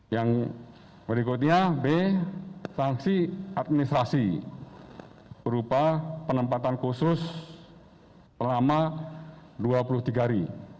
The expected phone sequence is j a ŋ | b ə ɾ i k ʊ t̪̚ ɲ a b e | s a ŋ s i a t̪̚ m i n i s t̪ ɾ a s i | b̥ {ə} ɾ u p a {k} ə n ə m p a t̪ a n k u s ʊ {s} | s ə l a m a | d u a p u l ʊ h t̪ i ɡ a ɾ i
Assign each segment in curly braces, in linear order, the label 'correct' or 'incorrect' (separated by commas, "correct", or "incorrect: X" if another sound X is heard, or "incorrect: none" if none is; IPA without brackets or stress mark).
correct, incorrect: p, correct